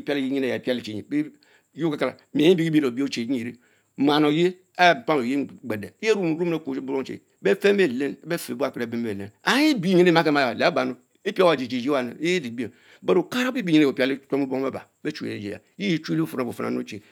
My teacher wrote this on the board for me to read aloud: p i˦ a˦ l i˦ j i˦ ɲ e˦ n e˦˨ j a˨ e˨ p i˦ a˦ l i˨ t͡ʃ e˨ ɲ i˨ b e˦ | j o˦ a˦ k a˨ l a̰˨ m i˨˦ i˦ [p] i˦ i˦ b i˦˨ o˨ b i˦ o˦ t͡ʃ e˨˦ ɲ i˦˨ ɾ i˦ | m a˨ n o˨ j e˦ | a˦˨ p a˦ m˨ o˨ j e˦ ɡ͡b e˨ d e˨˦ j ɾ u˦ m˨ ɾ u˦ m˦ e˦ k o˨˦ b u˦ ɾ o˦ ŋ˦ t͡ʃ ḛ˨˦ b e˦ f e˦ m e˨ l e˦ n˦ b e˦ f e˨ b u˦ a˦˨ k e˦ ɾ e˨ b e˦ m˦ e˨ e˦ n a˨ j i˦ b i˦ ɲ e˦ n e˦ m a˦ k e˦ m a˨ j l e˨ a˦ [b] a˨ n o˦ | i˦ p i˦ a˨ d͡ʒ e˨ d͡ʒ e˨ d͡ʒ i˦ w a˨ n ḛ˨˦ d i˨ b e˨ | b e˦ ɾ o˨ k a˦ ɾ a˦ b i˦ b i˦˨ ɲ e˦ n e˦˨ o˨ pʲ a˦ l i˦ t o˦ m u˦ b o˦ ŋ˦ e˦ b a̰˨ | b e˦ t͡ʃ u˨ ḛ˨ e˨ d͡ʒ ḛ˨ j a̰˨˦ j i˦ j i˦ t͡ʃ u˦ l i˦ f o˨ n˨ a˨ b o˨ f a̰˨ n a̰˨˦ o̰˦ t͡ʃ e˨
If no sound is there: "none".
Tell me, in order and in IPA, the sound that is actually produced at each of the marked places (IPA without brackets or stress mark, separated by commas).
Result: b, b